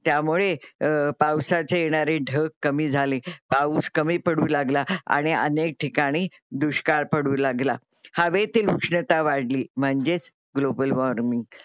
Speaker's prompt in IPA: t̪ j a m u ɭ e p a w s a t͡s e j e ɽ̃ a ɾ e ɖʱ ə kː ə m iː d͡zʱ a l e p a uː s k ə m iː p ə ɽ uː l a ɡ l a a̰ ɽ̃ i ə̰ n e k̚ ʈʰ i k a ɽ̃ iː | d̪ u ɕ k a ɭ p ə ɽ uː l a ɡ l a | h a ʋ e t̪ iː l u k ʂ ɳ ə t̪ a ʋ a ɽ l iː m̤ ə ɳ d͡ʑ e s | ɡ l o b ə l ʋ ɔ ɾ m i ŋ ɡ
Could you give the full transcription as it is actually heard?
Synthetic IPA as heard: t̪ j a m u ɭ e p a w s a t͡s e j e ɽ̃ a ɾ e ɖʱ ə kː ə m iː d͡zʱ a l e p a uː s k ə m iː p ə ɽ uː l a ɡ l a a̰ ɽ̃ i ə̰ n e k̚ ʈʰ i k a ɽ̃ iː | d̪ u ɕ k a ɭ p ə ɽ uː l a ɡ l a | h a ʋ e t̪ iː l u k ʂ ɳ ə t̪ a ʋ a ɽ l iː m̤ ə ɳ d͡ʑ e t͡s | ɡ l o b ə l ʋ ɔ ɾ m i ŋ ɡ